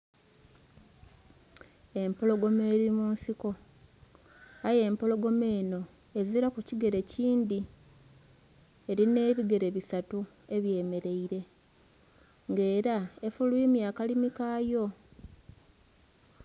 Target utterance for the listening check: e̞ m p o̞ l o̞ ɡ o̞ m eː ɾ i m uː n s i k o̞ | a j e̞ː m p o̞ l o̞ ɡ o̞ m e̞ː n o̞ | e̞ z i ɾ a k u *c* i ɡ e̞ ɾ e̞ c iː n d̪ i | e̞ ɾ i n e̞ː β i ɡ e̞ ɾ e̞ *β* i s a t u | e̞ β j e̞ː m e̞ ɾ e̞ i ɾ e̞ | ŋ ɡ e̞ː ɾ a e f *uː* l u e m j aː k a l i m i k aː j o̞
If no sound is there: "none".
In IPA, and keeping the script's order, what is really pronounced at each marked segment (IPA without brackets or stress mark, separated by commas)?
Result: c, β, u